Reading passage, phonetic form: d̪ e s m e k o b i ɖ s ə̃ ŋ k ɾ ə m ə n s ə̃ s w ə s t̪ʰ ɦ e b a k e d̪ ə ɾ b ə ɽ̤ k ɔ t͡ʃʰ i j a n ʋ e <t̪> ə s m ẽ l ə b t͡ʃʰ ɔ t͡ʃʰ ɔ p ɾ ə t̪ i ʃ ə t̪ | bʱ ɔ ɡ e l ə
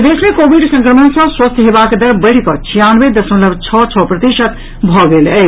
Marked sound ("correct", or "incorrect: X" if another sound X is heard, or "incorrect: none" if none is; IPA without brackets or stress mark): incorrect: d̪